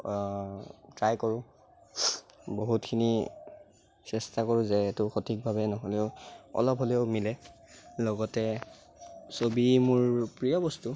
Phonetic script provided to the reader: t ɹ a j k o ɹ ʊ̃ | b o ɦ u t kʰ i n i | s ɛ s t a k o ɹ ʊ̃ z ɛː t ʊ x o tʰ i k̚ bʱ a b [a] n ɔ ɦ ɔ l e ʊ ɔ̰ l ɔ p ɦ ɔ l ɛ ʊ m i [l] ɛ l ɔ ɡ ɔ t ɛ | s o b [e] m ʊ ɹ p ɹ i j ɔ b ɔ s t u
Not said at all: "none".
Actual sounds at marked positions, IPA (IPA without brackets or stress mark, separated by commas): ɛ, l, i